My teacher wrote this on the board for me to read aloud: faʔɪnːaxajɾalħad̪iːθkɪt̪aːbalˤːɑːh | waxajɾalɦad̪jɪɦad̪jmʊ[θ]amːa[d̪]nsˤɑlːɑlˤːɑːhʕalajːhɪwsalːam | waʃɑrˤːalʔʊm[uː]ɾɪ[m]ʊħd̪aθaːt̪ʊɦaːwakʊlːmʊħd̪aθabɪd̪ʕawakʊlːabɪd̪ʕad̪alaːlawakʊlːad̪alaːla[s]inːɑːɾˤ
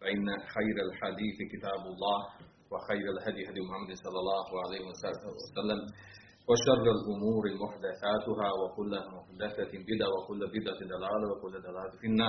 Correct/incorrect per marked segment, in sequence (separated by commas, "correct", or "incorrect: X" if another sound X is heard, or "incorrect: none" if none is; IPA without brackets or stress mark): incorrect: ħ, correct, correct, correct, incorrect: f